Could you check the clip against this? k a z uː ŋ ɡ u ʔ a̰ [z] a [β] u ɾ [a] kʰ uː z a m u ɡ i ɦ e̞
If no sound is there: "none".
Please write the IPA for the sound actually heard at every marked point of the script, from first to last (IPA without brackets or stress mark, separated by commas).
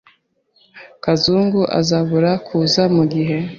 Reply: z, β, a